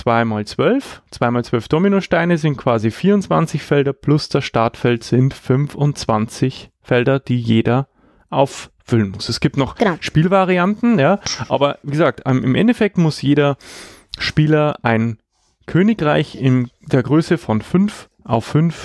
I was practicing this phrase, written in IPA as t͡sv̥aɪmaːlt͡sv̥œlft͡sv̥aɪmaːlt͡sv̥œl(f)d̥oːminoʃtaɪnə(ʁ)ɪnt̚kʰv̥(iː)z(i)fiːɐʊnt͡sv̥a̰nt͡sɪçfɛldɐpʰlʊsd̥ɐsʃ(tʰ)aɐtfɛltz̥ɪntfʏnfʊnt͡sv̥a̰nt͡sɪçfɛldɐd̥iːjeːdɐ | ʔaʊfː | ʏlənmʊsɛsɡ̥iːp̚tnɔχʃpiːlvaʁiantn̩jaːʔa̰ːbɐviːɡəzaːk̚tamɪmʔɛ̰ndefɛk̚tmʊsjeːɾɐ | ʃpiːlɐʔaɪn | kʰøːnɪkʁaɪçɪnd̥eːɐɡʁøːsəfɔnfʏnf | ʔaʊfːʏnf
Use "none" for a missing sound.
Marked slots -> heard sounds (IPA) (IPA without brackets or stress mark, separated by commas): f, z, aː, i, t